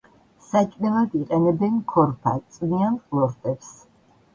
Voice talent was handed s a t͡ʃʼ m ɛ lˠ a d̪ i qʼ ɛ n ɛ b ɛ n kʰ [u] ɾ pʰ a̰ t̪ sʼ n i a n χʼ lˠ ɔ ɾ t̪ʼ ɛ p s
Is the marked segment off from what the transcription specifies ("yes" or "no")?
yes